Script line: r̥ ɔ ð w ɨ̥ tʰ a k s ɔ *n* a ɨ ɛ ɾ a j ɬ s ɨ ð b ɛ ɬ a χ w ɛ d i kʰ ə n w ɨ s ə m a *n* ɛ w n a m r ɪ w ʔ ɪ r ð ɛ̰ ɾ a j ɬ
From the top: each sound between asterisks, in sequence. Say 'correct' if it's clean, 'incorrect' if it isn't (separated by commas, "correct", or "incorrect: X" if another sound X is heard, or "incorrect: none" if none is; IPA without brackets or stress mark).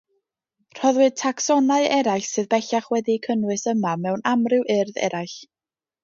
correct, incorrect: m